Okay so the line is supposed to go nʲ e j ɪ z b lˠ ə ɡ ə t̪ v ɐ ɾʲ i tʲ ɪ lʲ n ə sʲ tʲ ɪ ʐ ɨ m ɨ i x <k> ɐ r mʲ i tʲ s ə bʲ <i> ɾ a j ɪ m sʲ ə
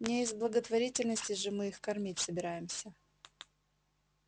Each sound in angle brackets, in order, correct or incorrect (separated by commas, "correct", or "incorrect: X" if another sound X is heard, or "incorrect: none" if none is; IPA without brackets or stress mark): correct, incorrect: ɪ